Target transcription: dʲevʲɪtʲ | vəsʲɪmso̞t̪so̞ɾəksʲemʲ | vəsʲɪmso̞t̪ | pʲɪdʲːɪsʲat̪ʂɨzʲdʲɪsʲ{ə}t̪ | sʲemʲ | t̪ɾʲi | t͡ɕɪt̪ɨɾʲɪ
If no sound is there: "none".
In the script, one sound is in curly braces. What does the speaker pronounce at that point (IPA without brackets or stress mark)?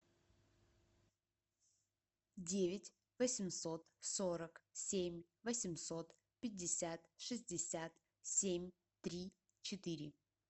a